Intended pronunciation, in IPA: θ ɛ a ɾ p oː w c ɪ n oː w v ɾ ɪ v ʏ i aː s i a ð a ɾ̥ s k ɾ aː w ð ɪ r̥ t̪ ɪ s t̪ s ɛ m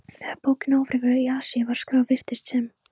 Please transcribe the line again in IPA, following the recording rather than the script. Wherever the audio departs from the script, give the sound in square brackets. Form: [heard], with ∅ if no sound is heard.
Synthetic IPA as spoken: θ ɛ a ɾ p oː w c ɪ n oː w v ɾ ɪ v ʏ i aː s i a [v] a ɾ̥ s k ɾ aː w [v] ɪ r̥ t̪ ɪ s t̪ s ɛ m